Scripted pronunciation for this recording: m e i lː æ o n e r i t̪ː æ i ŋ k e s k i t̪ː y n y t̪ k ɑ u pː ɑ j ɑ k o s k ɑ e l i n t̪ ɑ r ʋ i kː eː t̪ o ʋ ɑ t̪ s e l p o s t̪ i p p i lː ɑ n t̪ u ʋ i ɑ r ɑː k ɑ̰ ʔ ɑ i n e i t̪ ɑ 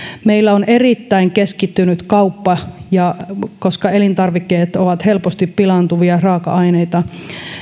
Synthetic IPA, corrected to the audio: m e i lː æ o n e r i t̪ː æ i ŋ k e s k i t̪ː y n y t̪ k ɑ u pː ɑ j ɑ k o s k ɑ e l i n t̪ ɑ r ʋ i kː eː t̪ o ʋ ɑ t̪ h e l p o s t̪ i p p i l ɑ n t̪ u ʋ i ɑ r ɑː k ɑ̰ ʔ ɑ i n e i t̪ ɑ